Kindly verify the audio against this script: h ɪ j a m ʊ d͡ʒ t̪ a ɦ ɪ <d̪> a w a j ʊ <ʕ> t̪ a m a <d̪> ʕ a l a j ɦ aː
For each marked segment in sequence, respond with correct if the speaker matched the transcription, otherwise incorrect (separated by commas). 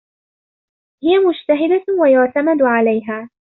correct, correct, correct